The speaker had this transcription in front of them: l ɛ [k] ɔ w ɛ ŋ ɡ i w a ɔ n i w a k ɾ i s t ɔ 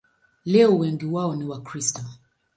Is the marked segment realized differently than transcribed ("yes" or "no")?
yes